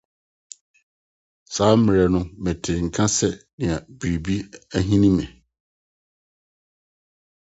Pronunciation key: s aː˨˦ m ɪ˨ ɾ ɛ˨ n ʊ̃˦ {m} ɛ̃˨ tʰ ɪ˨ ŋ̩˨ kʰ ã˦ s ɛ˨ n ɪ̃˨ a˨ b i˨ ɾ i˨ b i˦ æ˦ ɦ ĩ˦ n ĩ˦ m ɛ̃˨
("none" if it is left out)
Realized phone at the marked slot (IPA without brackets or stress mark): m